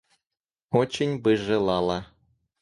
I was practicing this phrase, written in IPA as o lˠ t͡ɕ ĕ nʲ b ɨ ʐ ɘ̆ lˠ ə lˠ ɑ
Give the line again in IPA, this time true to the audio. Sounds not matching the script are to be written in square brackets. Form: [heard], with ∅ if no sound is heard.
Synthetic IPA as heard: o [∅] t͡ɕ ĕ nʲ b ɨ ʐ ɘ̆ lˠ [ɑ] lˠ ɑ